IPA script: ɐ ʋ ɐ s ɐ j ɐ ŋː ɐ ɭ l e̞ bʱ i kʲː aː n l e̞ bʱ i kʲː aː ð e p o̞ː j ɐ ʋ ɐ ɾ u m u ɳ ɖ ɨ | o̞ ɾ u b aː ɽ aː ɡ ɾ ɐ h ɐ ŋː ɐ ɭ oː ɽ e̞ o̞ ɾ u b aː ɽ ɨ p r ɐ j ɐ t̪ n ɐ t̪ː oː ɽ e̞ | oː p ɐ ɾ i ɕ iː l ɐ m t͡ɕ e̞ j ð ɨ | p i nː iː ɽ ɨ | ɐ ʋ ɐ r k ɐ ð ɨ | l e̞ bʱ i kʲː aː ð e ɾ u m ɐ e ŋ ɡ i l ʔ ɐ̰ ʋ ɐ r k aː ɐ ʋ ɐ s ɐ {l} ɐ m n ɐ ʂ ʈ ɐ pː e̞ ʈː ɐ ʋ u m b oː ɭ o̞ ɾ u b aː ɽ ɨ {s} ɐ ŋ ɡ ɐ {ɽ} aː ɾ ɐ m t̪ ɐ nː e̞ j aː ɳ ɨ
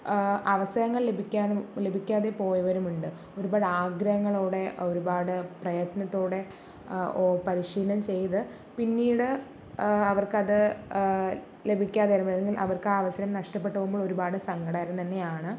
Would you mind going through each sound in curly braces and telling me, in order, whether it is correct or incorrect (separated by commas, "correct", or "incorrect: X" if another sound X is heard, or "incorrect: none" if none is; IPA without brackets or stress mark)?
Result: incorrect: ɾ, correct, correct